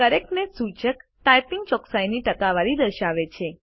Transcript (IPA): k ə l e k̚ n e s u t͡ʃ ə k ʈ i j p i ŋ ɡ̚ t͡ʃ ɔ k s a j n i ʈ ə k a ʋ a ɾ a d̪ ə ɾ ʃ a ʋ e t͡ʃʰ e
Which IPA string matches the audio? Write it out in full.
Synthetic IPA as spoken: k ə ɾ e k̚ n e s u t͡ʃ ə k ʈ a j p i ŋ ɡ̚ t͡ʃ ɔ k s a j n i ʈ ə k a ʋ a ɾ i d̪ ə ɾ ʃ a ʋ e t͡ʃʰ e